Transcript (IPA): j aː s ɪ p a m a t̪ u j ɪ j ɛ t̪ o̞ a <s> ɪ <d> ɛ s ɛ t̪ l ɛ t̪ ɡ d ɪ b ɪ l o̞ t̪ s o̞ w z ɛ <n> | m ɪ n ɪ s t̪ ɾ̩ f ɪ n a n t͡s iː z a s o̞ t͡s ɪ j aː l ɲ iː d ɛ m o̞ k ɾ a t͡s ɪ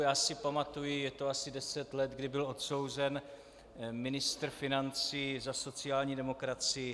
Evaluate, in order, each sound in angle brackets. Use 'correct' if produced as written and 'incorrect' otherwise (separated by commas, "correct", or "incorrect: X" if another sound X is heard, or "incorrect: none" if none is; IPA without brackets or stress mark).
correct, correct, correct